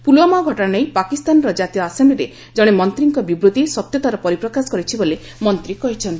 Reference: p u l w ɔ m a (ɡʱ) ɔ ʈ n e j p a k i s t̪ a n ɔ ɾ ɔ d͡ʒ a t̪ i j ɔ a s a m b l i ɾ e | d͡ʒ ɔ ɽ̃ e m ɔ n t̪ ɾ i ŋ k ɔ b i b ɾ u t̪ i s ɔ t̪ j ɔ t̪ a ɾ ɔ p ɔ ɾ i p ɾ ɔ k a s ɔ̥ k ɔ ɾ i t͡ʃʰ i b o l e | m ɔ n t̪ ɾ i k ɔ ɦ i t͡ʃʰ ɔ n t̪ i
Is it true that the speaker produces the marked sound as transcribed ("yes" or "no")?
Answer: yes